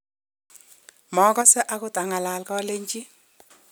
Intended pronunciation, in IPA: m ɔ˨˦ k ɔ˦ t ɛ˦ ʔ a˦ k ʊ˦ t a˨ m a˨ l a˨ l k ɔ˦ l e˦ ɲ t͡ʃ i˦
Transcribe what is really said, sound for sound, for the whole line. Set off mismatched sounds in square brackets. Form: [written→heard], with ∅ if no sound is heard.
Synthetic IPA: m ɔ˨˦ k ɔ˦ [t→s] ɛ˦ ʔ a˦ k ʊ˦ t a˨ [m→ŋ] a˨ l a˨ l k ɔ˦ l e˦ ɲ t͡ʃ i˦